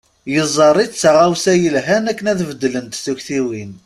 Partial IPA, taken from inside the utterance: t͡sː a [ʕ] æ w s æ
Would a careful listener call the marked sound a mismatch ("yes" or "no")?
yes